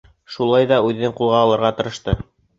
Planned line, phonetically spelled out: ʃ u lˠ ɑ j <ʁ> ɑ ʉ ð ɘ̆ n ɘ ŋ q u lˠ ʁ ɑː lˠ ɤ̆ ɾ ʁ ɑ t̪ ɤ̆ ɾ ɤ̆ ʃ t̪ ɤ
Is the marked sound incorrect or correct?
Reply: incorrect